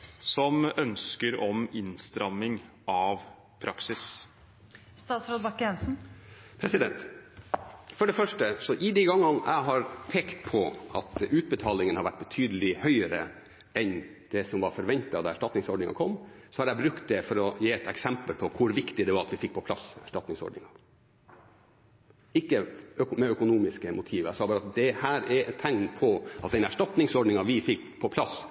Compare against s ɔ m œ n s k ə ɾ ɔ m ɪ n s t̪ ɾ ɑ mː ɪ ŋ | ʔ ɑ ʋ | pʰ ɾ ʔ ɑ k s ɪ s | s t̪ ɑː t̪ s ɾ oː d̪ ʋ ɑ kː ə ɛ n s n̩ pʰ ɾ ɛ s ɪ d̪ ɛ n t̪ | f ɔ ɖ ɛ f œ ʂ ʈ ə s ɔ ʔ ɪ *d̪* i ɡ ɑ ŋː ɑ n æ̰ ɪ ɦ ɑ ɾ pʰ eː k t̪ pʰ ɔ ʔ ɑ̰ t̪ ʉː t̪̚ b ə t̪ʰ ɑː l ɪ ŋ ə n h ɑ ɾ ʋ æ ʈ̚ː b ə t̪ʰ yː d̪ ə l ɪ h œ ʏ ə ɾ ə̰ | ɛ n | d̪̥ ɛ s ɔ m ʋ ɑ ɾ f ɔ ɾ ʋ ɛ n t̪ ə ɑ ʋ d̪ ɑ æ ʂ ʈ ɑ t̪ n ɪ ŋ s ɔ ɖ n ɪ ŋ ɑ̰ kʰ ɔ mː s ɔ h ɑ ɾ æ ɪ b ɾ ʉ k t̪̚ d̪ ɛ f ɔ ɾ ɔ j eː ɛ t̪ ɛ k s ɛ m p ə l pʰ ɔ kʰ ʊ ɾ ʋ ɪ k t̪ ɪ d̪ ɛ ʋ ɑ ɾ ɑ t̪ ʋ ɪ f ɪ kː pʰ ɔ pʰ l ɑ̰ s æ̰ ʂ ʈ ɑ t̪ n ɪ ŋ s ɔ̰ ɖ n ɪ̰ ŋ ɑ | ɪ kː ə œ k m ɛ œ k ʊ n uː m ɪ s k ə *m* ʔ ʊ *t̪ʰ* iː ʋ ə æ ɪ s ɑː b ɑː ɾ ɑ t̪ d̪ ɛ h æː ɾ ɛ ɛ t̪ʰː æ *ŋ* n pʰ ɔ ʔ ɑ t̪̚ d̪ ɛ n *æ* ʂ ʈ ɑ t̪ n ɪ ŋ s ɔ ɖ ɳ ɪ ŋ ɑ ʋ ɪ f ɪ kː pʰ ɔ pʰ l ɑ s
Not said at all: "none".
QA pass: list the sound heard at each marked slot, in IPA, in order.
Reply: d̪, m, t̪ʰ, ŋ, æ

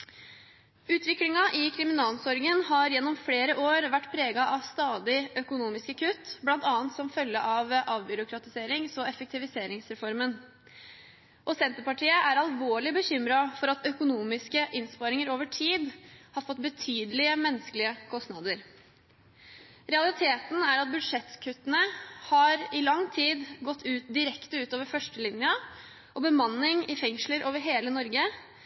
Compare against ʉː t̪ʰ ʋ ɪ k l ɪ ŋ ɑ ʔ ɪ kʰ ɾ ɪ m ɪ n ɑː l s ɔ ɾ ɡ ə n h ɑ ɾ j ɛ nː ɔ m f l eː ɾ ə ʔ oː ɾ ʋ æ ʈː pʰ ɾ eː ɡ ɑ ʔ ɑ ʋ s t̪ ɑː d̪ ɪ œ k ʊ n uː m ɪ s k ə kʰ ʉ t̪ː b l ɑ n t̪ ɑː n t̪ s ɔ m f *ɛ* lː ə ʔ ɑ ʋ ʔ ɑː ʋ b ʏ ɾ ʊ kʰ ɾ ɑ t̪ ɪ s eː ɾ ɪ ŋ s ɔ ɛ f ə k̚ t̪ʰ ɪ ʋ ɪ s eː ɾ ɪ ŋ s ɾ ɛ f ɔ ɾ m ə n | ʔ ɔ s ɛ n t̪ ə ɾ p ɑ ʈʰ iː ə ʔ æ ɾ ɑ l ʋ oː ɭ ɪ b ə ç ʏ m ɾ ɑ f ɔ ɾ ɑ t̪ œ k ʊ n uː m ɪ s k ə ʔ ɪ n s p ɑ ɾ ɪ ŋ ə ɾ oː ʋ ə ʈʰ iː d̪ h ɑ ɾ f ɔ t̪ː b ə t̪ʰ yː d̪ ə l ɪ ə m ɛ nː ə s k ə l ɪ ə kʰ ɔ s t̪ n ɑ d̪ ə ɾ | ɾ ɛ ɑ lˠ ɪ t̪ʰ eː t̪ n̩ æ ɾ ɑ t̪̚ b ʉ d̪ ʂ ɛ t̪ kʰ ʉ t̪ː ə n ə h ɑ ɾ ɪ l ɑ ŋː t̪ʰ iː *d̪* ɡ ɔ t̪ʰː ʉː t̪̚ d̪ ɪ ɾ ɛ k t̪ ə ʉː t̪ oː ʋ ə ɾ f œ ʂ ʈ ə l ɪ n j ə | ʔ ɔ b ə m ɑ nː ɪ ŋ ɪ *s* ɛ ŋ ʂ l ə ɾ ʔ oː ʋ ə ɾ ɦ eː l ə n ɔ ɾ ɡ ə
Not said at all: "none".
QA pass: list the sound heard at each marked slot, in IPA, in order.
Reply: œ, d̪, f

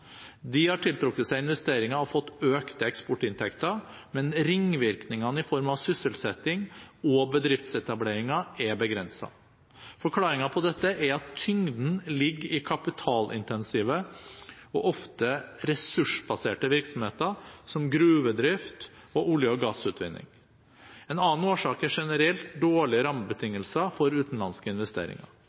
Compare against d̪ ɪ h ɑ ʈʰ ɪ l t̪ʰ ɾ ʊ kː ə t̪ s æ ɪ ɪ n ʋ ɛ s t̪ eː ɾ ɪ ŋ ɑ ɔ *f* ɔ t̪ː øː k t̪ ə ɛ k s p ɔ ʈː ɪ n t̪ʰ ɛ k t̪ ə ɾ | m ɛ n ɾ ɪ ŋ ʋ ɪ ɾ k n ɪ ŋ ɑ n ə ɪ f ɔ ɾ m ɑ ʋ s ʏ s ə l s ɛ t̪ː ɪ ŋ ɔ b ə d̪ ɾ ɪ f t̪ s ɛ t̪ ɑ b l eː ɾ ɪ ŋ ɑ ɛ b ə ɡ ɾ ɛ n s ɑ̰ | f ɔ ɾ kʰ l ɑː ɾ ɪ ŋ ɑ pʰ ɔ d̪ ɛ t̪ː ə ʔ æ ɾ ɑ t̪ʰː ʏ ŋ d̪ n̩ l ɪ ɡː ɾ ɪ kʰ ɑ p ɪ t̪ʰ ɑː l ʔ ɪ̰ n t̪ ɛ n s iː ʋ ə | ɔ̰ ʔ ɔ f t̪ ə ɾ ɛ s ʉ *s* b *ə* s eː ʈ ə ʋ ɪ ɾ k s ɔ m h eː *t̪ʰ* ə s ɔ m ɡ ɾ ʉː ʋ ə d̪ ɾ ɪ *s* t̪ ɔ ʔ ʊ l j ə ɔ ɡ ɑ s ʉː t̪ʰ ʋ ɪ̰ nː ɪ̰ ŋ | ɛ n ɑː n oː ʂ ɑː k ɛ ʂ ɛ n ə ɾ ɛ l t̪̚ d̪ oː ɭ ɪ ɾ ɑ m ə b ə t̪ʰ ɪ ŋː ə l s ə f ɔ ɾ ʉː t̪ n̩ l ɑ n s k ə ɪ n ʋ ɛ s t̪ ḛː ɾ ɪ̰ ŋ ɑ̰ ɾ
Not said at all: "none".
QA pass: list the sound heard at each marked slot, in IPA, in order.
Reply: f, ʂ, ɑ, t̪, f

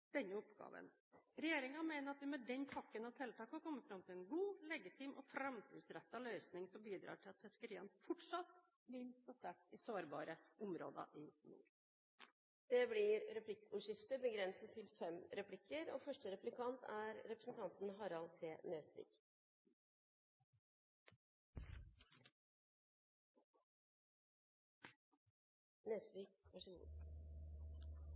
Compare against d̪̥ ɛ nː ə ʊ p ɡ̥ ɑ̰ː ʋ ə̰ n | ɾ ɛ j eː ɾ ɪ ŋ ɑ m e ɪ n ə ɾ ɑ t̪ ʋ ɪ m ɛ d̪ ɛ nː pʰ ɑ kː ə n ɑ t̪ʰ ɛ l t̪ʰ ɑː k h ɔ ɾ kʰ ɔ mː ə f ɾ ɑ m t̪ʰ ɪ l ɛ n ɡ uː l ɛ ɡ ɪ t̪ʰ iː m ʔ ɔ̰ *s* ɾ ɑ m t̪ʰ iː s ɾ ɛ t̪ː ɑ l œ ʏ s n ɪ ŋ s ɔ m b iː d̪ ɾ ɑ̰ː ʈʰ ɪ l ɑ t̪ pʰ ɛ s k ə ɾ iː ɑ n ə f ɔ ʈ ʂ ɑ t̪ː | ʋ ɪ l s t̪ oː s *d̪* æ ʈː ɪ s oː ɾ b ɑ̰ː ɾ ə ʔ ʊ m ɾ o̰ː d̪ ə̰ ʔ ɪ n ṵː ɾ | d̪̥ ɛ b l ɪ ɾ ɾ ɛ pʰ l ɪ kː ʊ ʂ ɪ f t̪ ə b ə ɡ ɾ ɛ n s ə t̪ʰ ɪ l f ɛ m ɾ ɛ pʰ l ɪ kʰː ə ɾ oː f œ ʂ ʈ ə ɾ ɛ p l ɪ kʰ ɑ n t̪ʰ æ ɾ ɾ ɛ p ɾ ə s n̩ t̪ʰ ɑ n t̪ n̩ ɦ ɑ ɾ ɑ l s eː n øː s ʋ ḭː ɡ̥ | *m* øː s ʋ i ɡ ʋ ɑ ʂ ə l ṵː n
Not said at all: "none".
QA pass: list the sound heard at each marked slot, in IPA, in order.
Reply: f, t̪, n

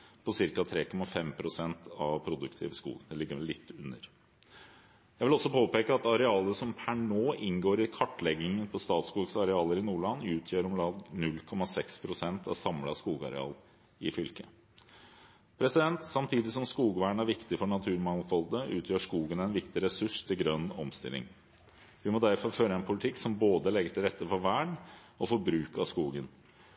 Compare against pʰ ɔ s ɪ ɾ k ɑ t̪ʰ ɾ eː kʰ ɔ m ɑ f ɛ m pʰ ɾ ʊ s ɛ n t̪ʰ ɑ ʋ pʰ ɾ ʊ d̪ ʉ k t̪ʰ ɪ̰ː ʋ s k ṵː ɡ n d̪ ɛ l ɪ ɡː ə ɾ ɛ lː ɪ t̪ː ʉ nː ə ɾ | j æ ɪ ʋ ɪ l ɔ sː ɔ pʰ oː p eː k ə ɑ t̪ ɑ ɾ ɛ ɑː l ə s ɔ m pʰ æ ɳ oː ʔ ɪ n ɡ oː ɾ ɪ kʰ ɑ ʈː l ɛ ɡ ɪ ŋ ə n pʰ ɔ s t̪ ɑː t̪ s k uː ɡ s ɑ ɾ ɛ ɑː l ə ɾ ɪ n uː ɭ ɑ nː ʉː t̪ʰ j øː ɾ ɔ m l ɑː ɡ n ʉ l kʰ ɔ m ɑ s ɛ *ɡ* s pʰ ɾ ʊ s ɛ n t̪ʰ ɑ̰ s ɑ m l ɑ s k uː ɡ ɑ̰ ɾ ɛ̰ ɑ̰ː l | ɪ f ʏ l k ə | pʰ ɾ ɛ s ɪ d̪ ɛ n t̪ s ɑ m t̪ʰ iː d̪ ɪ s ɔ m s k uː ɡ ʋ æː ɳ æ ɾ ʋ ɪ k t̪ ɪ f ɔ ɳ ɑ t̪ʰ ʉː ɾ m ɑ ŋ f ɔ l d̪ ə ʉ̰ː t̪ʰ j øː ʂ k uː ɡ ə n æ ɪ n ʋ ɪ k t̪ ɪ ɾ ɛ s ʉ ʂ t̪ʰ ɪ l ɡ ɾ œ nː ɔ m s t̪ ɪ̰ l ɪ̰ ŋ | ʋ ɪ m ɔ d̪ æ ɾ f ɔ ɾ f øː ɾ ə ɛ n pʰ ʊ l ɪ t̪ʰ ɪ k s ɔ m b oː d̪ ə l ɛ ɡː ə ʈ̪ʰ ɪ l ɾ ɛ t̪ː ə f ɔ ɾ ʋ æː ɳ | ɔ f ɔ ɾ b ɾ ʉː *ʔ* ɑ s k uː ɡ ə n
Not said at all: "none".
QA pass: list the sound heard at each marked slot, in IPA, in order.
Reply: k, k

